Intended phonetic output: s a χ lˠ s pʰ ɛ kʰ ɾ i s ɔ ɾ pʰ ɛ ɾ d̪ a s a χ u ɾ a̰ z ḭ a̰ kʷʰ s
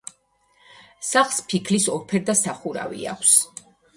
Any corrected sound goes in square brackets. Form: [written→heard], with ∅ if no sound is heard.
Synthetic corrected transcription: s a χ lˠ s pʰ [ɛ→i] kʰ [ɾ→l] i s ɔ ɾ pʰ ɛ ɾ d̪ a s a χ u ɾ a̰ [z→v] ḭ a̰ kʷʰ s